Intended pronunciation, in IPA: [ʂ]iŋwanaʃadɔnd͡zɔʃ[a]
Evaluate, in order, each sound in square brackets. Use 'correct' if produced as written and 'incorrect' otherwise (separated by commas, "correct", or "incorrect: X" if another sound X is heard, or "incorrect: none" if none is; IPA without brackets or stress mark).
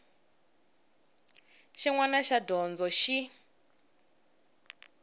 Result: incorrect: ʃ, incorrect: i